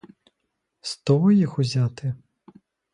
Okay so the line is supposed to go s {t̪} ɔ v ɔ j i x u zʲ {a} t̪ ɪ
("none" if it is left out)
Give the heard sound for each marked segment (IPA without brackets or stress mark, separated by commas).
t̪, a